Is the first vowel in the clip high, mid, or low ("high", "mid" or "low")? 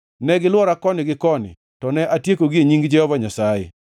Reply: mid